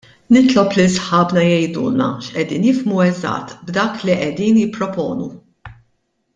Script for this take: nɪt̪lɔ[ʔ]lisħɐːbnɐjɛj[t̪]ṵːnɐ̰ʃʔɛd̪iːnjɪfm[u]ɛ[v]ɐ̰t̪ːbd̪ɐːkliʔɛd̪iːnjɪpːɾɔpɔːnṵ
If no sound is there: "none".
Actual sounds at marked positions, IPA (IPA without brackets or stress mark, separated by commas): p, d̪, u, z